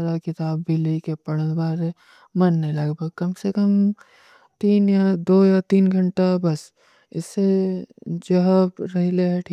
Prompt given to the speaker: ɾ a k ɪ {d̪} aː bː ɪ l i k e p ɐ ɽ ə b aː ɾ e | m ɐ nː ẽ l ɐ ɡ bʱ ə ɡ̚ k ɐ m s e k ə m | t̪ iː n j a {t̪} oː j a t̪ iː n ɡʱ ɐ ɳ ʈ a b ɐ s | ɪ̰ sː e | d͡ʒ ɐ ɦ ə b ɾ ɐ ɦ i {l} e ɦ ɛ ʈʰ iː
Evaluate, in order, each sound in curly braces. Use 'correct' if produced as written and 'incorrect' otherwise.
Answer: incorrect: t̪, incorrect: d̪, correct

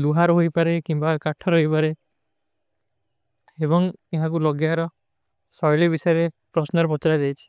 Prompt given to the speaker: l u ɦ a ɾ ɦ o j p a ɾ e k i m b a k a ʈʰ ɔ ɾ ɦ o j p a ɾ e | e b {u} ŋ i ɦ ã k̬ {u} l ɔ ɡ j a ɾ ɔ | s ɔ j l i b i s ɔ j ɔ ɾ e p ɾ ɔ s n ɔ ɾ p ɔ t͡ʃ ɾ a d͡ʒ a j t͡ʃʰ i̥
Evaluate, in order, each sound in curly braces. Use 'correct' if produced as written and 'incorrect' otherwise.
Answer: incorrect: ɔ, correct

